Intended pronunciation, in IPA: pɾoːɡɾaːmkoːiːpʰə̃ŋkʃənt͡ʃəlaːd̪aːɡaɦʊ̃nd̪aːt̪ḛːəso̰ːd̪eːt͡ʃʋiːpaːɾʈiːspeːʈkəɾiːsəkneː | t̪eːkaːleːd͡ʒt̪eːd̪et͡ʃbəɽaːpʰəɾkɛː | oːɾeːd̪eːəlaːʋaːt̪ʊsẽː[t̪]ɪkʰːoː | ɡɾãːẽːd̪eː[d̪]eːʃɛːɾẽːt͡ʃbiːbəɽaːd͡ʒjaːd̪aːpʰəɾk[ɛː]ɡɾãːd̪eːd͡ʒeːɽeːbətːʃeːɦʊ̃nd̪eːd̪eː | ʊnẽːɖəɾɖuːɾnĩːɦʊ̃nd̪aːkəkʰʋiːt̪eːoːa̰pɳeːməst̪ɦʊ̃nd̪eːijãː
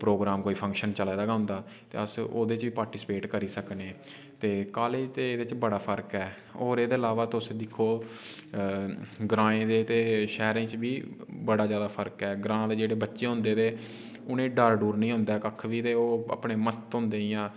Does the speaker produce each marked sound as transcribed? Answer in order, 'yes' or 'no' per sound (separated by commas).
no, no, yes